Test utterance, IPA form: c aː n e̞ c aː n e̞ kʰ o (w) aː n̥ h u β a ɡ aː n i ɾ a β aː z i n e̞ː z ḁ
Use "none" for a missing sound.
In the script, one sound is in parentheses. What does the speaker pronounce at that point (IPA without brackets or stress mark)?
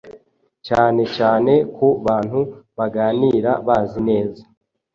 β